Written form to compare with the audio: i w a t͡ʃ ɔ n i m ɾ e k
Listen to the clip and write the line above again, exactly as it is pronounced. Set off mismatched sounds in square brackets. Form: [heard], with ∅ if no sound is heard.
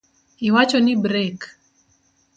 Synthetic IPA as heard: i w a t͡ʃ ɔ n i [b] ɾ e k